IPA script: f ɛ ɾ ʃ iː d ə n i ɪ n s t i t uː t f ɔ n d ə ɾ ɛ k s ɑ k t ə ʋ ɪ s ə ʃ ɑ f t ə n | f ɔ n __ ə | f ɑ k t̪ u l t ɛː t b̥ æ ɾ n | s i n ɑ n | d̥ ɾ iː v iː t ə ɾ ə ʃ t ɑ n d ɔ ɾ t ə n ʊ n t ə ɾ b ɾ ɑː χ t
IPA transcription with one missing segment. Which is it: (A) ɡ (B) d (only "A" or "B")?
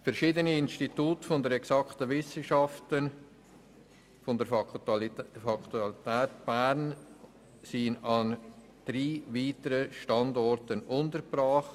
B